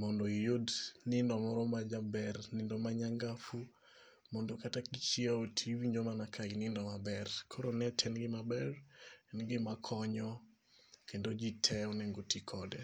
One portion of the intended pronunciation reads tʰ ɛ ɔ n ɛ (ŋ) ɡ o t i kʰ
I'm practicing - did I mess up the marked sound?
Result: no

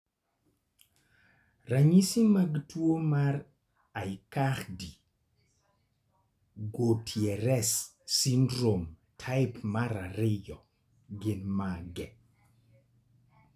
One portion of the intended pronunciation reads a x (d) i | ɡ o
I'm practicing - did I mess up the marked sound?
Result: no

